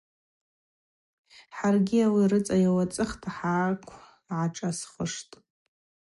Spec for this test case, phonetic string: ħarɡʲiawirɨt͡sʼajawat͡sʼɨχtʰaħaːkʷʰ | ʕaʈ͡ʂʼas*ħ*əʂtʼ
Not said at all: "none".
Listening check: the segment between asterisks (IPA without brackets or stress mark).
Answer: χ